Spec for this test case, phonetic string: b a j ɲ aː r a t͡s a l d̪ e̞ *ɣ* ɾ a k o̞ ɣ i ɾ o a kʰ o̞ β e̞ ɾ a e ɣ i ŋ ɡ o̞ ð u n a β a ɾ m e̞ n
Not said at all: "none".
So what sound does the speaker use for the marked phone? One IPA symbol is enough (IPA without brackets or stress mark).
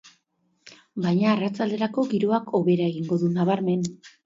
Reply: none